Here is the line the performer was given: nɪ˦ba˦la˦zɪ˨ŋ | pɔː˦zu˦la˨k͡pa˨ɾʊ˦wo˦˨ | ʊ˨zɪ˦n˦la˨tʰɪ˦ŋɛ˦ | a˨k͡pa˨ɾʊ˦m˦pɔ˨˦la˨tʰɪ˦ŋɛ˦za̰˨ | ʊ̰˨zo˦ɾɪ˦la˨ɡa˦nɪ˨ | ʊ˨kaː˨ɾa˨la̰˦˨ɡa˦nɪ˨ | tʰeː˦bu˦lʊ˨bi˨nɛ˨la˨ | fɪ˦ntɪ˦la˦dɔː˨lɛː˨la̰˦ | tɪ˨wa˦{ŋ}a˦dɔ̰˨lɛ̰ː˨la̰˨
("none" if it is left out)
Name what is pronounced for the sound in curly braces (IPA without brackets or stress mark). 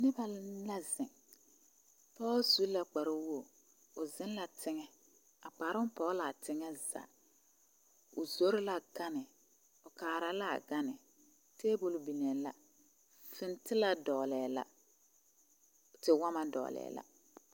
m